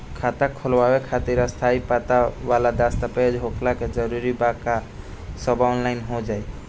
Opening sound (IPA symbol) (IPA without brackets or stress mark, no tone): kʰ